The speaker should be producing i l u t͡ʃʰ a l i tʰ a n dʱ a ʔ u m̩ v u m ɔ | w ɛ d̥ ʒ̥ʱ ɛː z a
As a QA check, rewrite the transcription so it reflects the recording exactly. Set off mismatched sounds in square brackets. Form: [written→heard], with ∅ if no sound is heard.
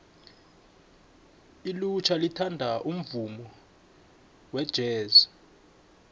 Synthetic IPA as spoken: i l u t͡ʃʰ a l i tʰ a n dʱ a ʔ u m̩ v u m ɔ | w ɛ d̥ ʒ̥ʱ ɛː z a